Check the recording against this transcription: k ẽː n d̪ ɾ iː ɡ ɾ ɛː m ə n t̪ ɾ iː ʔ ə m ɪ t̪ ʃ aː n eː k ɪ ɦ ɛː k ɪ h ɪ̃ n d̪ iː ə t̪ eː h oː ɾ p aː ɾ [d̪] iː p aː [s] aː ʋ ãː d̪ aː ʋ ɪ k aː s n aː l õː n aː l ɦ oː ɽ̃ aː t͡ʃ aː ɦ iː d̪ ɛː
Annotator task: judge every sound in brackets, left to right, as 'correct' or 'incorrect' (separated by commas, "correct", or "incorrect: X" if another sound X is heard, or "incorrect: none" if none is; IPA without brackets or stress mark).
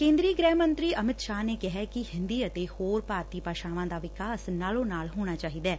incorrect: t̪, incorrect: ʃ